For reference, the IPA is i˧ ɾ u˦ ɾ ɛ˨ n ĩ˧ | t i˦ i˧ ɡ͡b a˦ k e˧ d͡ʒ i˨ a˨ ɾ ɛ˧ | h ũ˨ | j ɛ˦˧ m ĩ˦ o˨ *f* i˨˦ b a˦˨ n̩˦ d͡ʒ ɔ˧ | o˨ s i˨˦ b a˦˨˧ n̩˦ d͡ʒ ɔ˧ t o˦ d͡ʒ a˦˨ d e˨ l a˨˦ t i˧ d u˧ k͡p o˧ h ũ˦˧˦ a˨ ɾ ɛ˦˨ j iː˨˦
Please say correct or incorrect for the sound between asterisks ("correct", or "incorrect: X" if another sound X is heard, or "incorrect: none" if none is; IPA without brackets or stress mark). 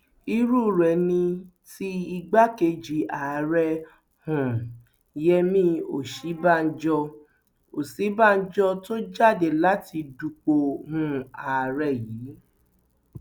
incorrect: ʃ